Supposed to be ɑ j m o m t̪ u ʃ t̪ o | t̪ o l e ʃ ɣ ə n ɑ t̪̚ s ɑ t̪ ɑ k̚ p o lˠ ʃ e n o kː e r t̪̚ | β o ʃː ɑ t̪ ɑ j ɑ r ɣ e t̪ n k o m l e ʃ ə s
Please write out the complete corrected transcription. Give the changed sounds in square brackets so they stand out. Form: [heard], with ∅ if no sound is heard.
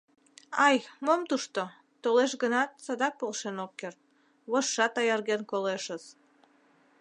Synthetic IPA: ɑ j m o m t̪ u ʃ t̪ o | t̪ o l e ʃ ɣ ə n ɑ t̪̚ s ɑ [d̪] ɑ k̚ p o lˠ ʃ e n o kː e r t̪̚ | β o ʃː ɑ t̪ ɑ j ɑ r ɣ e [∅] n k o [∅] l e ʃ ə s